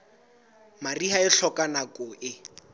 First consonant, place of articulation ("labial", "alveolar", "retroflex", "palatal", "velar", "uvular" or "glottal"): labial